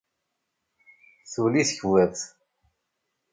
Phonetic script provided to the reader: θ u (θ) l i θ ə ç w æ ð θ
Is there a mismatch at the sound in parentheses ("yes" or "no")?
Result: yes